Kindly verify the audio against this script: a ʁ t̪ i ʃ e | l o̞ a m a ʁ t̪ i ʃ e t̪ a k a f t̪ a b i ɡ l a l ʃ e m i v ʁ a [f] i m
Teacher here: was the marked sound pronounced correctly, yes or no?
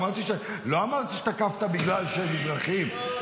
no